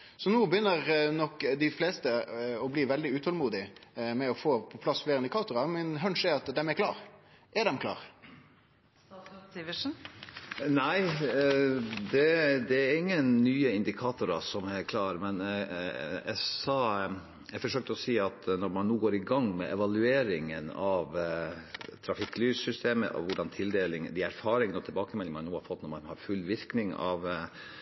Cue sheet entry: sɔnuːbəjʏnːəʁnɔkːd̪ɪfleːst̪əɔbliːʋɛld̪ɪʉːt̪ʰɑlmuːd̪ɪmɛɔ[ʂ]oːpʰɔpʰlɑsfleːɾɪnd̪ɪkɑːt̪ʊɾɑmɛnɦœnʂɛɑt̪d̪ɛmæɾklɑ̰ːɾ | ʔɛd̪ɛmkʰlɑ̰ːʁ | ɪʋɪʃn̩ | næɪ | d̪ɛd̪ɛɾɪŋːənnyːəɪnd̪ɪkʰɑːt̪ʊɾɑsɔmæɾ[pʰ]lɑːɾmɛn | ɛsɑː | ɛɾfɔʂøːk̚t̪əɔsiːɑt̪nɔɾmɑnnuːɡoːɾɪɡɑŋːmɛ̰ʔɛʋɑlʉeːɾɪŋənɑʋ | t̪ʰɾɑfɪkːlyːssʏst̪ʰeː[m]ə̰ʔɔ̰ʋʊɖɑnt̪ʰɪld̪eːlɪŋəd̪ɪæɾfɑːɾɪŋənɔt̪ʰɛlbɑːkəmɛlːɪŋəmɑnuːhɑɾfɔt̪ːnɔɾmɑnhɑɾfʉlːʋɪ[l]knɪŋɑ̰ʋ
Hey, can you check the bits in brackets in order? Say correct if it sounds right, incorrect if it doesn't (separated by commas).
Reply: incorrect, incorrect, correct, incorrect